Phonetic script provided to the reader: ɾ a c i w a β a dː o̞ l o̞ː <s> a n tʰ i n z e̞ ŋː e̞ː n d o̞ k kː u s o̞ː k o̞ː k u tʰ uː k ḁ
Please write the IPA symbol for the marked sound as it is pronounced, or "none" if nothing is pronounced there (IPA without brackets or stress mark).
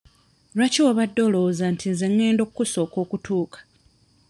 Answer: z